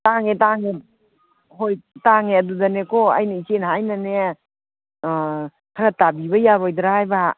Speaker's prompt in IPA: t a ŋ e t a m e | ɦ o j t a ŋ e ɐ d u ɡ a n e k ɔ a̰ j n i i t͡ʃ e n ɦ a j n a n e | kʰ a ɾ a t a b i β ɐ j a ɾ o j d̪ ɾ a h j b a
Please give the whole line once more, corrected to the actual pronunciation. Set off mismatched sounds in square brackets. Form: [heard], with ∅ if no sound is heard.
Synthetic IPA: t a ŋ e t a [ŋ] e | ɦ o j t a ŋ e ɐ d u [d] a n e k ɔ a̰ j n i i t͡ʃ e n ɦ a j n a n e | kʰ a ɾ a t a b i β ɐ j a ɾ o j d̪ ɾ a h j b a

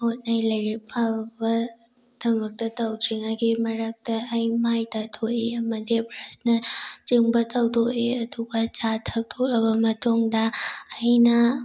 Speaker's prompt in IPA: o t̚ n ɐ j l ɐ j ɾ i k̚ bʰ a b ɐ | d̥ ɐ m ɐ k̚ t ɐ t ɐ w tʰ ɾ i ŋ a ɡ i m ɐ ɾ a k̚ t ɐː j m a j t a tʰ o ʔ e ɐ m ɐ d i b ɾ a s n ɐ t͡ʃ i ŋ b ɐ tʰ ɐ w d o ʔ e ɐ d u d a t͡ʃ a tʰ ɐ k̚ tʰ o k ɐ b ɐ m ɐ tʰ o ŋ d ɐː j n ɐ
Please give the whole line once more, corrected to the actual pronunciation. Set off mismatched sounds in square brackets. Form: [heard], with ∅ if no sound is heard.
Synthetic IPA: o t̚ n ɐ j l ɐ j ɾ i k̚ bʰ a b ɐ | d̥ ɐ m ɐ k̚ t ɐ t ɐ w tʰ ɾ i ŋ a ɡ i m ɐ ɾ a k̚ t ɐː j m a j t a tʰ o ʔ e ɐ m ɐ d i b ɾ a s n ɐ t͡ʃ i ŋ b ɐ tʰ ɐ w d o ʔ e ɐ d u [ɡ] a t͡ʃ a tʰ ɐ k̚ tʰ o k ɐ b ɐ m ɐ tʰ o ŋ d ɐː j n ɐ

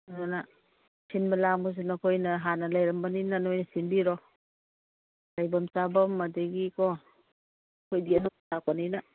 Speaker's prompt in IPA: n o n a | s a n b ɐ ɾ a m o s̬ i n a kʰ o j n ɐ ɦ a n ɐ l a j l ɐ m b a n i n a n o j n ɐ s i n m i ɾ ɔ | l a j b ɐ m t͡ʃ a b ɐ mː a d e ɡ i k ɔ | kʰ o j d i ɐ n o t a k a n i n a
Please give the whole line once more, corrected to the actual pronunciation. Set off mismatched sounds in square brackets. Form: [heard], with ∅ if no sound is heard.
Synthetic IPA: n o n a | s [i] n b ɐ [l] a m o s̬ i n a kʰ o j n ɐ ɦ a n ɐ l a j [ɾ] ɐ m b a n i n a n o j n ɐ s i n [b] i ɾ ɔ | l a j b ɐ m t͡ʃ a b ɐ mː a d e ɡ i k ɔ | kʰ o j d i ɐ n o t a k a n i n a

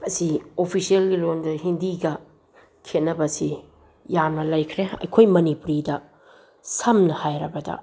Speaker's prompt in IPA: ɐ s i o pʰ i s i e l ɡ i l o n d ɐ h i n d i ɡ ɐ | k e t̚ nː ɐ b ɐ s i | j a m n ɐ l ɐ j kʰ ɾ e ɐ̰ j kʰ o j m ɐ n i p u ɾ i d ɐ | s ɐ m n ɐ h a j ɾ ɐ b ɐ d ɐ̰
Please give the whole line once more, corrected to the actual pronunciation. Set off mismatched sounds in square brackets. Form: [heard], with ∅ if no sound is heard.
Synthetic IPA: ɐ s i o pʰ i s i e l ɡ i l o n d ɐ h i n d i ɡ ɐ | [kʰ] e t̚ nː ɐ b ɐ s i | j a m n ɐ l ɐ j kʰ ɾ e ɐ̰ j kʰ o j m ɐ n i p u ɾ i d ɐ | s ɐ m n ɐ h a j ɾ ɐ b ɐ d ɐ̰

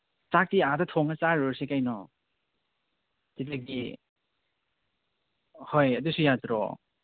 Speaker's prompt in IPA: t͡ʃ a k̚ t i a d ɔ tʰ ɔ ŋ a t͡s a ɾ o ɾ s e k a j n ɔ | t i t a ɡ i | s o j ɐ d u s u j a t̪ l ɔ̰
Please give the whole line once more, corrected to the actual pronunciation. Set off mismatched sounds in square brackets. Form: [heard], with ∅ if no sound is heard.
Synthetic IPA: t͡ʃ a k̚ t i a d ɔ tʰ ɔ ŋ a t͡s a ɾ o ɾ s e k a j n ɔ | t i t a ɡ i | [h] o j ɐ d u s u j a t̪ [ɾ] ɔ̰

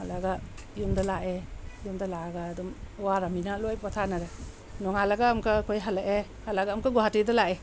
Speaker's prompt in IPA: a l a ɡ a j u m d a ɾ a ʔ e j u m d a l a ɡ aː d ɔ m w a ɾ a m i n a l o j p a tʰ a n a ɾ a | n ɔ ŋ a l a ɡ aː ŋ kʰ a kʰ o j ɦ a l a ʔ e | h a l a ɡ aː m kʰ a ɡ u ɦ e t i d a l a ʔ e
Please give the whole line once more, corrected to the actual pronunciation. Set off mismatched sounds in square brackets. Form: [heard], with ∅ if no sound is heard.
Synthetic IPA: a l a ɡ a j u m d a [l] a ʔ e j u m d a l a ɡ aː d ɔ m w a ɾ a m i n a l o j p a tʰ a n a ɾ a | n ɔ ŋ a l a ɡ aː [m] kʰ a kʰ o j ɦ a l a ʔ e | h a l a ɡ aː m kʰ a ɡ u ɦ [a] t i d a l a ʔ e

